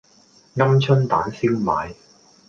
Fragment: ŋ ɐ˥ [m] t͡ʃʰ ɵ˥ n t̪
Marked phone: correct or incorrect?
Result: correct